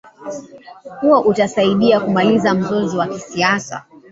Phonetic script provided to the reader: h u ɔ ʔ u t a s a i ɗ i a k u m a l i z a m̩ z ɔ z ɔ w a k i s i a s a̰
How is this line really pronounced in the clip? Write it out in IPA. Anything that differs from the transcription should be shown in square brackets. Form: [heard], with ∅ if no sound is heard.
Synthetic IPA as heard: h u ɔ ʔ u t a s a i ɗ i a k u m a l i z a m̩ z ɔ z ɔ w a k i s i a s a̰